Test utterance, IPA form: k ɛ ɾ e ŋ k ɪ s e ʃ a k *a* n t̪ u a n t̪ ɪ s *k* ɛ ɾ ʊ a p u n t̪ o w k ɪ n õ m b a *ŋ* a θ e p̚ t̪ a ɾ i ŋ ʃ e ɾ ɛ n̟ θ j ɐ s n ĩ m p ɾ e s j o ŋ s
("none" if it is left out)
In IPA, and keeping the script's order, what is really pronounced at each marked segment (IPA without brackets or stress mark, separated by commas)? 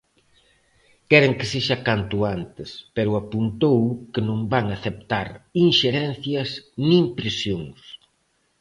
a, p, ŋ